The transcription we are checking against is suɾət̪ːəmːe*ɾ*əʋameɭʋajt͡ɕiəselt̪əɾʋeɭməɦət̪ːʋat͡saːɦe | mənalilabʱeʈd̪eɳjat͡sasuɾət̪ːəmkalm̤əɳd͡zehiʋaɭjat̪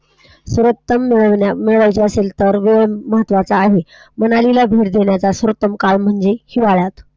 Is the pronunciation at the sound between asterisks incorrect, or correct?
incorrect